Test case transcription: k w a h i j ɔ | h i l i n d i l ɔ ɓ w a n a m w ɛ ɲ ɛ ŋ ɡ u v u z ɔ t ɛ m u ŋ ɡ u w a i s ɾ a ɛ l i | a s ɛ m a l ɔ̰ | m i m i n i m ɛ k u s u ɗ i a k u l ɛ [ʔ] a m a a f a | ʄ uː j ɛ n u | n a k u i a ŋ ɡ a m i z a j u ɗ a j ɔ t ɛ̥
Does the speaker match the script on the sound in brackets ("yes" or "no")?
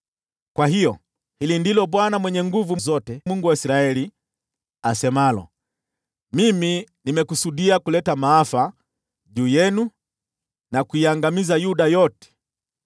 no